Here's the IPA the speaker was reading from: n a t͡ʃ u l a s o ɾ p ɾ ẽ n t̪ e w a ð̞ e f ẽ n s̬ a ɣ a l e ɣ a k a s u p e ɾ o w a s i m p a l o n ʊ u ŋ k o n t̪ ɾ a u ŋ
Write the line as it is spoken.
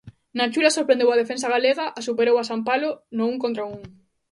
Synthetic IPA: n a t͡ʃ u l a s o ɾ p ɾ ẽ n d̪ e w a ð̞ e f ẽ n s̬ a ɣ a l e ɣ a ʔ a s u p e ɾ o w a s a m p a l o n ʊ u ŋ k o n t̪ ɾ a u ŋ